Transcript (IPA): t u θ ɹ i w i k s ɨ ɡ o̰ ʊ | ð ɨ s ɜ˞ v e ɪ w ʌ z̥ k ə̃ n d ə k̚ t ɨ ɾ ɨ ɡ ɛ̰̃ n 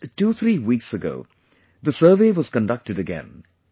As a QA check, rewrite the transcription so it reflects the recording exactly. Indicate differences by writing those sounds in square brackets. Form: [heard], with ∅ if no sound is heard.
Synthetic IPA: t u θ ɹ i w i k s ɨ ɡ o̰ ʊ | ð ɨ s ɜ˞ v e ɪ w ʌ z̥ k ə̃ n d [ʌ] k̚ t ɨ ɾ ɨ ɡ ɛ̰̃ n